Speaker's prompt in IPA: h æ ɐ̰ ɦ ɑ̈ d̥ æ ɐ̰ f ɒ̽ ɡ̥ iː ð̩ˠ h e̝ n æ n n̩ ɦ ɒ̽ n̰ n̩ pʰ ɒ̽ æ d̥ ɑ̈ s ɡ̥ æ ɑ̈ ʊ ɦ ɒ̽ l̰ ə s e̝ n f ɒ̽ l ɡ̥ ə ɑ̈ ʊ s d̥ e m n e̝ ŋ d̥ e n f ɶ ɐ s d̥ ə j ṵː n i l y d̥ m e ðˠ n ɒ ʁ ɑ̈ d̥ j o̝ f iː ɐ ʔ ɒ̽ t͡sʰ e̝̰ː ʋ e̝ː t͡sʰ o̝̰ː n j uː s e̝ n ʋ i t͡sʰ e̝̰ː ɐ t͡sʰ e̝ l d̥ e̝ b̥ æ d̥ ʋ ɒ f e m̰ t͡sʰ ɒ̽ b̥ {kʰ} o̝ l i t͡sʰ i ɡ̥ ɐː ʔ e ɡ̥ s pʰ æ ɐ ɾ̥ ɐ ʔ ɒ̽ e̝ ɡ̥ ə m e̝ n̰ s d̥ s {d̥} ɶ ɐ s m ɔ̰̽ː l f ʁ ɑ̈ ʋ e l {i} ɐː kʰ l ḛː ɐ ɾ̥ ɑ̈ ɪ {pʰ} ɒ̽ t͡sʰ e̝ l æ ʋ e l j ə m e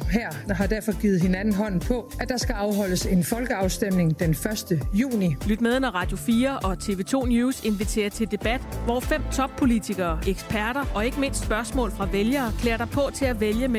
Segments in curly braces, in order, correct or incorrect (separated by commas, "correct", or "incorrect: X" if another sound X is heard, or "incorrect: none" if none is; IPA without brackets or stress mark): incorrect: pʰ, incorrect: b̥, incorrect: j, correct